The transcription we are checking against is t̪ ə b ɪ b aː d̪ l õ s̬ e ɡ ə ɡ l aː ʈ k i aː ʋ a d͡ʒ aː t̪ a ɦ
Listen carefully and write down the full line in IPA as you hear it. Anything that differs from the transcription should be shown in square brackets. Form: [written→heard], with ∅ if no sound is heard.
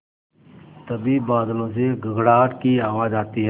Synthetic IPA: t̪ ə b [ɪ→i] b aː d̪ l õ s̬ e ɡ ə ɡ [l→ɽ] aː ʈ k i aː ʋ a d͡ʒ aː t̪ [a→i] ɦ